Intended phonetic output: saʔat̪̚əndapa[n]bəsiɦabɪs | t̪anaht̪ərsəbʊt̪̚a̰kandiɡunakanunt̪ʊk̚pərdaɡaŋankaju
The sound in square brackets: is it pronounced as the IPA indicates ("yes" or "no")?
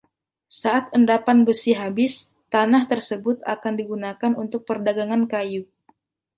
yes